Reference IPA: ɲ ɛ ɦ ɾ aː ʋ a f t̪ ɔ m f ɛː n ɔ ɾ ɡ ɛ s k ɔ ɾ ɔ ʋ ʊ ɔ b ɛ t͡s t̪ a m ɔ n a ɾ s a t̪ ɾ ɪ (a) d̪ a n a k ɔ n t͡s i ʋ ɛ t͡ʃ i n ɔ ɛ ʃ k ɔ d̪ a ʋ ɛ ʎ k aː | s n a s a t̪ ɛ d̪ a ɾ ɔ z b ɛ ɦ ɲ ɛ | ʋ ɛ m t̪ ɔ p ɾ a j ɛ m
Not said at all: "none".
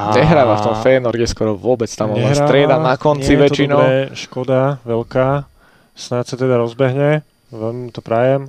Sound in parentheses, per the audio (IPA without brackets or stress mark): ɛ